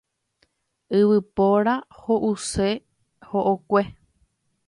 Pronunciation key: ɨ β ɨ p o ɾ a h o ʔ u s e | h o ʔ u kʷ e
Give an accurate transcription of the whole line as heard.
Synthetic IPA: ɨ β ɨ p o ɾ a h o ʔ u s e | h o ʔ o kʷ e